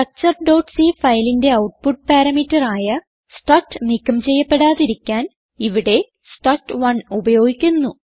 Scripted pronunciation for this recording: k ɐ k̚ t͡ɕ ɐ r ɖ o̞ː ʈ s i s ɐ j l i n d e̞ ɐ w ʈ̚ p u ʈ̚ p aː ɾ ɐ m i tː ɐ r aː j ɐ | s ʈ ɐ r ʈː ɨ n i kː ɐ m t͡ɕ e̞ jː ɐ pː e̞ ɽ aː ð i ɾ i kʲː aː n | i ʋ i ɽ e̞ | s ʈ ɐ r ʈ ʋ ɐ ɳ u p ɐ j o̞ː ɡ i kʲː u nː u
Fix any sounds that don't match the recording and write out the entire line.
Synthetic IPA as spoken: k ɐ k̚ t͡ɕ ɐ r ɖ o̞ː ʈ s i f ɐ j l i n d e̞ ɐ w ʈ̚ p u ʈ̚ p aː ɾ ɐ m i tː ɐ r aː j ɐ | s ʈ ɐ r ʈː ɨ n i kː ɐ m t͡ɕ e̞ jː ɐ pː e̞ ɽ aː ð i ɾ i kʲː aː n | i ʋ i ɽ e̞ | s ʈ ɐ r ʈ ʋ ɐ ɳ u b ɐ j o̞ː ɡ i kʲː u nː u

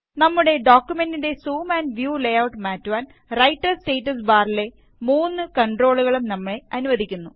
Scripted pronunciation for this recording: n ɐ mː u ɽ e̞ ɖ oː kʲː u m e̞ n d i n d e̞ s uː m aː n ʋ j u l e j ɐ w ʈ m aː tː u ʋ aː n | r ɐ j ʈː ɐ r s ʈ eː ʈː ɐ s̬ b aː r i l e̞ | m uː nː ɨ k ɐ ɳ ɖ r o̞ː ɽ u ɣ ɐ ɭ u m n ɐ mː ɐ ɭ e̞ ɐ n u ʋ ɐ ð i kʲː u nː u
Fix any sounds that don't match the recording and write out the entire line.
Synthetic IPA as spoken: n ɐ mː u ɽ e̞ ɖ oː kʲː u m e̞ n d i n d e̞ s uː m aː n ʋ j uː l e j ɐ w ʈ m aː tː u ʋ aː n | r ɐ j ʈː ɐ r s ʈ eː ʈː ɐ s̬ b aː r i l e̞ | m uː nː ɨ k ɐ ɳ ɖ r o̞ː ɭ u ɣ ɐ ɭ u m n ɐ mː ɐ ɭ e̞ ɐ n u ʋ ɐ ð i kʲː u nː u

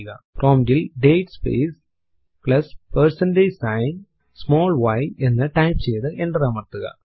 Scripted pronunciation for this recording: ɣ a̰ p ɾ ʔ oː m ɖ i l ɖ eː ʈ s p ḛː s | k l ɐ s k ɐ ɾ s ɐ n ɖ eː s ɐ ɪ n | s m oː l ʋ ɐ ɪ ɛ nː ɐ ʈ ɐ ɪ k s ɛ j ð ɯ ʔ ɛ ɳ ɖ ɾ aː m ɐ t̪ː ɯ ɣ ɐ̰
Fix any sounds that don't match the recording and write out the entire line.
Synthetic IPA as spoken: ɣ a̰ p ɾ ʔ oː m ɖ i l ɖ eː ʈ s p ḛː s | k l ɐ s p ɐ ɾ s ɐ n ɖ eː s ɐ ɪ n | s m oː l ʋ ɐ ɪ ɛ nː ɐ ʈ ɐ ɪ p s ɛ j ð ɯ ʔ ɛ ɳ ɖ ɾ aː m ɐ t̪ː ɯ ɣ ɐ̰

